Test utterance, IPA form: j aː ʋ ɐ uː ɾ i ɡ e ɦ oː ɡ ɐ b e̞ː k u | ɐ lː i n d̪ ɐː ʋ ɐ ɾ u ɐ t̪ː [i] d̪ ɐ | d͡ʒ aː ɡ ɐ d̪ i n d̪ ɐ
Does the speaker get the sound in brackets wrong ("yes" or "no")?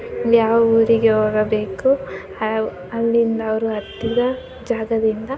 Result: no